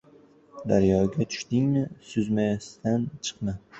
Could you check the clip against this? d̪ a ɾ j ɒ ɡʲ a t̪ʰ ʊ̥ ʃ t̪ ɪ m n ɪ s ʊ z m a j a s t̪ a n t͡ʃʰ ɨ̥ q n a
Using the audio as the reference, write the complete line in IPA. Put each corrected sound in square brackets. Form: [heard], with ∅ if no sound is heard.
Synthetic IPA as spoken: d̪ a ɾ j ɒ ɡʲ a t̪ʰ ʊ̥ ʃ t̪ ɪ [ŋ] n ɪ s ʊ z m a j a s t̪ a n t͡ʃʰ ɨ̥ q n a